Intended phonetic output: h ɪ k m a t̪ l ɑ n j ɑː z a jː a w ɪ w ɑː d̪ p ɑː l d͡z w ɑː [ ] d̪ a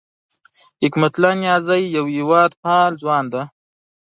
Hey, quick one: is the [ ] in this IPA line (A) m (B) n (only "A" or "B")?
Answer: B